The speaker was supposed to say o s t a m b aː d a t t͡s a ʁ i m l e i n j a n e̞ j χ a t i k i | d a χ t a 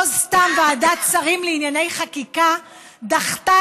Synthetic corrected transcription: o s t a m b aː d a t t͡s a ʁ i m l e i n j a n e̞ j χ a k i k a | d a χ t a